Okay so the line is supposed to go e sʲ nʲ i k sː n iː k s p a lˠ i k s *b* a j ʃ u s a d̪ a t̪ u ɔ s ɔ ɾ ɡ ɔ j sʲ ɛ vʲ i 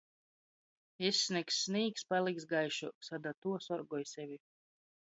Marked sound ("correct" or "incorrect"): incorrect